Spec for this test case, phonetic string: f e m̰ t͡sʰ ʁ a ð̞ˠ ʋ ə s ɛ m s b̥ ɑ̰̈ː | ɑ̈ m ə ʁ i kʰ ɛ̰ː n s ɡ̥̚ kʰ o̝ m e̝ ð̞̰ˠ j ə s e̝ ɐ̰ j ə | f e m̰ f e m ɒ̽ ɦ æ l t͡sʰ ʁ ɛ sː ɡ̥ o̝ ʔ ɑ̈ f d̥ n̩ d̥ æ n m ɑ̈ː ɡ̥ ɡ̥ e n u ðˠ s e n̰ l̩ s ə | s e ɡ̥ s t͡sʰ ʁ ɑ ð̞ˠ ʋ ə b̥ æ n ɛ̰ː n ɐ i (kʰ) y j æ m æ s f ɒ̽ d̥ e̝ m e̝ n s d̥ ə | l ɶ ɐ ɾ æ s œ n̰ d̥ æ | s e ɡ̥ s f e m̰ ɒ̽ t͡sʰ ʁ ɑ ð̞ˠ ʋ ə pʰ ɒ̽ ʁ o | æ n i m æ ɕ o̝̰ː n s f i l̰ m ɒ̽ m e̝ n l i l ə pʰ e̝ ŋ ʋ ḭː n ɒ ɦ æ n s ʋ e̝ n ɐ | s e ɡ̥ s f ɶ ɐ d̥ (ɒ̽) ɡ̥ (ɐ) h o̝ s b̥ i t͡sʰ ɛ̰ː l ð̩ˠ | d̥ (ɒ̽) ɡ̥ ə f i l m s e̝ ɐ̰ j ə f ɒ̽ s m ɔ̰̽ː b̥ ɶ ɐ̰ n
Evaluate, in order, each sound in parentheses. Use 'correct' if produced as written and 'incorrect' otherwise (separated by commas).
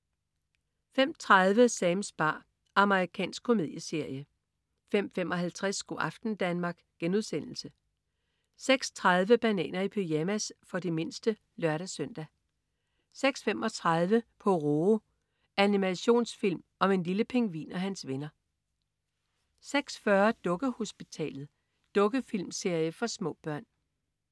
incorrect, incorrect, incorrect, incorrect